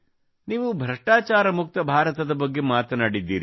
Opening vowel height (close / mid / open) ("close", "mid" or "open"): close